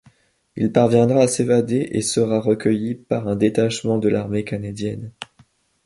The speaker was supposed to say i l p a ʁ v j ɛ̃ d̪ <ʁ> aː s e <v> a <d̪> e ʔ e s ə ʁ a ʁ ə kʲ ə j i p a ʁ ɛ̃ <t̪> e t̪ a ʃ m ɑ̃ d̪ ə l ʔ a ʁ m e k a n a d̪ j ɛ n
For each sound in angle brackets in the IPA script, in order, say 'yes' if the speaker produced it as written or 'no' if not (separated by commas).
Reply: yes, yes, yes, no